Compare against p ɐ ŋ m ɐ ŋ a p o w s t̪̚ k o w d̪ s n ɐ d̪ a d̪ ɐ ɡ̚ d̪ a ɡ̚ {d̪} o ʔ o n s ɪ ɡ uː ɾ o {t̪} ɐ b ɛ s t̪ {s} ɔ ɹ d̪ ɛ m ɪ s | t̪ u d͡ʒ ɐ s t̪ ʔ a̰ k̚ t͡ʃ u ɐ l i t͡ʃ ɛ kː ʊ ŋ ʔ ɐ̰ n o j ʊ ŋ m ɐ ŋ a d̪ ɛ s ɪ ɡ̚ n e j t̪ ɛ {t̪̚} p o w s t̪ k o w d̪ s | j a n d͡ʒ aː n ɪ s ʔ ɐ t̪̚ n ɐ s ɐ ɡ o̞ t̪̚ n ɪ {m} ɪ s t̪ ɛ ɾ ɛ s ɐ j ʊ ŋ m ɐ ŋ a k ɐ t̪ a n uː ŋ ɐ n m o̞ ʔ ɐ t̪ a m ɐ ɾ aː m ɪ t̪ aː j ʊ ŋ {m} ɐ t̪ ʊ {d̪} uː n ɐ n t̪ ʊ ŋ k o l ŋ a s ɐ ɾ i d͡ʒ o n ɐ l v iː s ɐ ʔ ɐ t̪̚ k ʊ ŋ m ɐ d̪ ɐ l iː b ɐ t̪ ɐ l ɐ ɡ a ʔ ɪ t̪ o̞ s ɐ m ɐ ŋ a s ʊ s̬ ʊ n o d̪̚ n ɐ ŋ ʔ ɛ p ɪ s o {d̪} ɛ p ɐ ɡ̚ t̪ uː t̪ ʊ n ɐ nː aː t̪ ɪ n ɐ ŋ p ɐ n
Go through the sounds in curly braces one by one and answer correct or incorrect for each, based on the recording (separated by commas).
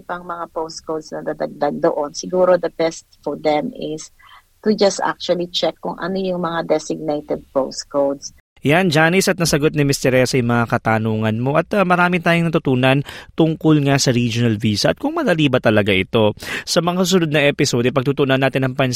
correct, incorrect, incorrect, incorrect, correct, incorrect, incorrect, correct